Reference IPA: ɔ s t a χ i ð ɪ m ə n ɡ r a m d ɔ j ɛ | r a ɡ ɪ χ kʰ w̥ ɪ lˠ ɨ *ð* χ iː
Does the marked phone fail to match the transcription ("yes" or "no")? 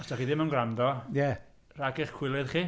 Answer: no